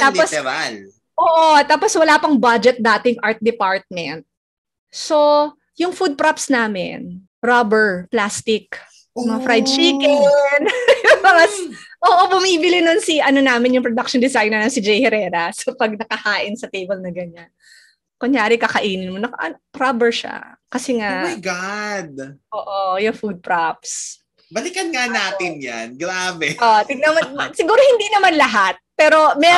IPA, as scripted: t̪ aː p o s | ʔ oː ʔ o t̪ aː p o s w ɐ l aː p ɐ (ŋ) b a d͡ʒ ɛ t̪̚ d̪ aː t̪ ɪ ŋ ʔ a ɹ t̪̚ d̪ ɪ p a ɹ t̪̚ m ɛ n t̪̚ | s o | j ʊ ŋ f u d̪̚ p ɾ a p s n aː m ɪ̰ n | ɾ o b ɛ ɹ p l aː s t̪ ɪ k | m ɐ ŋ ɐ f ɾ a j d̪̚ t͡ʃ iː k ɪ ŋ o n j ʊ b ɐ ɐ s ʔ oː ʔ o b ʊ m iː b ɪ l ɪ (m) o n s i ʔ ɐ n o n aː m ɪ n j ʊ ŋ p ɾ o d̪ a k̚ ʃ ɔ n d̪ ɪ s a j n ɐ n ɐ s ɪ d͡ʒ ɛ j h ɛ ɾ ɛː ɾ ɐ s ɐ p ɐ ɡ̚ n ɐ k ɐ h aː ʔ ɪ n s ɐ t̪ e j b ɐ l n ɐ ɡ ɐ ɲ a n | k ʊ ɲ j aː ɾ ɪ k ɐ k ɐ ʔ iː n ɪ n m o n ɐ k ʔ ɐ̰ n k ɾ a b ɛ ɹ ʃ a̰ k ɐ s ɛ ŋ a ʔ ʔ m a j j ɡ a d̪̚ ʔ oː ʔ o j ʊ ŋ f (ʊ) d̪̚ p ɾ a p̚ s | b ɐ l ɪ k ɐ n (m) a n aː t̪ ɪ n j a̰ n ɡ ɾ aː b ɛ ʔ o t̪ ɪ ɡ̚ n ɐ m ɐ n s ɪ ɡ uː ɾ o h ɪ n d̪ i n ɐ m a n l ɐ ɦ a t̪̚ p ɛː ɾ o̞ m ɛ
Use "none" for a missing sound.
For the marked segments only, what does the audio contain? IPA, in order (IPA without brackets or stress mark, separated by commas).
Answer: ŋ, n, u, ŋ